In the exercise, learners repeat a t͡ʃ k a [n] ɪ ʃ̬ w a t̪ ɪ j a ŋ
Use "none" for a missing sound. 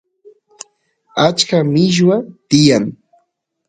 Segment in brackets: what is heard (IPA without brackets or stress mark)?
m